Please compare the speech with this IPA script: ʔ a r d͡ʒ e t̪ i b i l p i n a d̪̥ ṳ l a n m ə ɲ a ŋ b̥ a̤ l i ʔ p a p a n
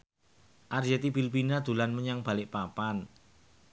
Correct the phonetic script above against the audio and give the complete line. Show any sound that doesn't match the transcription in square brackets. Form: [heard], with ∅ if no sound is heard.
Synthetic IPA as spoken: ʔ a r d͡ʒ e t̪ i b i l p i n a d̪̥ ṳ l a n m ə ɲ a ŋ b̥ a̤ l [ɪ] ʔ p a p a n